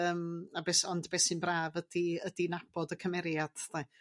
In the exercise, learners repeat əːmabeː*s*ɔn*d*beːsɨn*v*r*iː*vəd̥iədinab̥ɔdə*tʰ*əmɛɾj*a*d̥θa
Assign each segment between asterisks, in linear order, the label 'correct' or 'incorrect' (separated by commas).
correct, correct, incorrect, incorrect, incorrect, correct